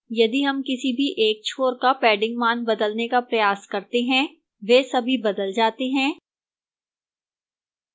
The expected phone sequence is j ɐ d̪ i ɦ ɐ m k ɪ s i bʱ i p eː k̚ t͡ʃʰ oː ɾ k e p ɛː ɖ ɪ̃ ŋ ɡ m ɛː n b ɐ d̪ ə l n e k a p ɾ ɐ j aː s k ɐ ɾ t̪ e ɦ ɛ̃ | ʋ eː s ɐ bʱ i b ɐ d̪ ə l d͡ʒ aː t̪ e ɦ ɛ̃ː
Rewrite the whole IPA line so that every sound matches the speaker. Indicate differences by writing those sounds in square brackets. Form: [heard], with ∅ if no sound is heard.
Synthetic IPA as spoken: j ɐ d̪ i ɦ ɐ m k ɪ s i bʱ i [ʔ] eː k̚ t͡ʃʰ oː ɾ k [a] p ɛː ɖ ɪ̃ ŋ ɡ m [aː] n b ɐ d̪ ə l n e k a p ɾ ɐ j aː s k ɐ ɾ t̪ e ɦ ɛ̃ | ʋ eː s ɐ bʱ i b ɐ d̪ ə l d͡ʒ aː t̪ e ɦ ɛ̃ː